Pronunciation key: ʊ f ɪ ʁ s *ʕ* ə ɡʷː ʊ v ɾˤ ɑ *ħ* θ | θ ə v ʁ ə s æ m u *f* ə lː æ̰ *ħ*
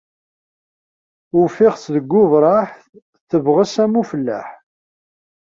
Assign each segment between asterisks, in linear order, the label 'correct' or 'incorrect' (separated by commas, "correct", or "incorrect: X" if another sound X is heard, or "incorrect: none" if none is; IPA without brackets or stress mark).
incorrect: ð, correct, correct, correct